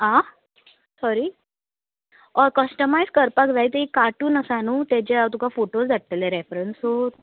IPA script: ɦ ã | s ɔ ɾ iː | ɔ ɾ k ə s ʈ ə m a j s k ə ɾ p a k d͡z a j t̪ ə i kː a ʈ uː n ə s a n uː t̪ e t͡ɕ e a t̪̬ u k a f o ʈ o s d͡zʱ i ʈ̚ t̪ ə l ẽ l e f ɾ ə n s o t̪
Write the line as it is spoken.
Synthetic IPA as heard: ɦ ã | s ɔ ɾ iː | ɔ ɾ k ə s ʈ ə m a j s k ə ɾ p a k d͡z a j t̪ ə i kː a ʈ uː n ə s a n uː t̪ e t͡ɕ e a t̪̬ u k a f o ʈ o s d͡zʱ a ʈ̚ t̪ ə l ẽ ɾ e f ɾ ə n s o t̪